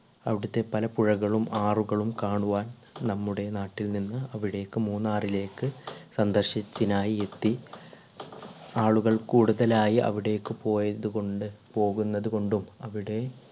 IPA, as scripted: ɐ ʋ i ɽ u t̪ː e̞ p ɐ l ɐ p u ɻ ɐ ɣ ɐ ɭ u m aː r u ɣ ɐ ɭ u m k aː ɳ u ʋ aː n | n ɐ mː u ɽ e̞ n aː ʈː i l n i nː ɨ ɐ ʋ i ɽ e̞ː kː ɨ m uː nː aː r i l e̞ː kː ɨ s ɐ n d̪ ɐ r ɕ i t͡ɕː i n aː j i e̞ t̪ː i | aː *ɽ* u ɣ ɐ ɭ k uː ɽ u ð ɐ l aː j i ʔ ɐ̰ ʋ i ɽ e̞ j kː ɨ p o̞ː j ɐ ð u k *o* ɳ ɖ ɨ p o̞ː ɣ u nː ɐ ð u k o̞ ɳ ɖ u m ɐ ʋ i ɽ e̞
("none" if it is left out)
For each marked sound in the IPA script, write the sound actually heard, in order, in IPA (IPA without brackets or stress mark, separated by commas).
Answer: ɭ, o